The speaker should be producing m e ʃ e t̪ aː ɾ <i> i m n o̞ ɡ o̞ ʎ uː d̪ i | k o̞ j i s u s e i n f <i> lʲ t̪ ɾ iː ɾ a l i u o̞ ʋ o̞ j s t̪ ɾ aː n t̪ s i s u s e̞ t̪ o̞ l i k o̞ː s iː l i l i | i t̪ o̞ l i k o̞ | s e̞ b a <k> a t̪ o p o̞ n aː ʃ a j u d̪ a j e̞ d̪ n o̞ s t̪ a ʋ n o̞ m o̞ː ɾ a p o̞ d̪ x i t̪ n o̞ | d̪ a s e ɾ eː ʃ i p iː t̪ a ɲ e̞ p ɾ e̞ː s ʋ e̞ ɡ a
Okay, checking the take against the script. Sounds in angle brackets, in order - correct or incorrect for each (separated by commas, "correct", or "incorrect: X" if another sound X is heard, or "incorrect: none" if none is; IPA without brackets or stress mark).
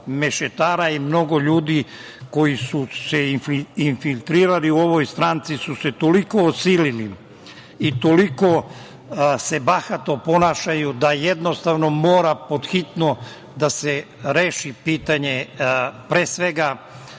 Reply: incorrect: a, correct, incorrect: x